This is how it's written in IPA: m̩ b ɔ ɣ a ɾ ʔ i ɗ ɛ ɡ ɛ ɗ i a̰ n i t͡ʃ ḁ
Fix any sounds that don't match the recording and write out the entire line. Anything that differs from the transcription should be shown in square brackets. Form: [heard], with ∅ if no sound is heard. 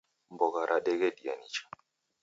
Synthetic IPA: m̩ b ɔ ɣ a ɾ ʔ [a] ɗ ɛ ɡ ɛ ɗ i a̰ n i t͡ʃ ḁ